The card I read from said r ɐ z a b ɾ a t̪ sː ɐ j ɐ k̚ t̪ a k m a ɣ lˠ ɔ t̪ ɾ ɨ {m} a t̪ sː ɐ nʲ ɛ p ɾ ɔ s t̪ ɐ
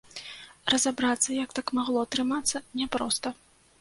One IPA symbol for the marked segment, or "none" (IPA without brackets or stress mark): m